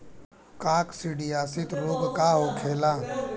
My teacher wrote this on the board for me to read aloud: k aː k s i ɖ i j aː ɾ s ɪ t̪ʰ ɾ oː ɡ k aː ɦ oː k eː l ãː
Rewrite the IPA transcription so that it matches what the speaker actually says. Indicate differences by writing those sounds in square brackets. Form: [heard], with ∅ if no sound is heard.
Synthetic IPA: k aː k s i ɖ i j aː [∅] s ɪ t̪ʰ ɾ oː ɡ k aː ɦ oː [kʰ] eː l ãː